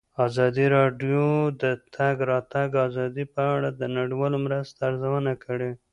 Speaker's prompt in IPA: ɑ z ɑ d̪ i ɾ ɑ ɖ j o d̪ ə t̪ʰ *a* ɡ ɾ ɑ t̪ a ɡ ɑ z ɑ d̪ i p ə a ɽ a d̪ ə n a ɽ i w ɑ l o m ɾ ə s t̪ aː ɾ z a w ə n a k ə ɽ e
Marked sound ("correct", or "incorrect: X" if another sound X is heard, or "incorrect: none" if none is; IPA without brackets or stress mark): correct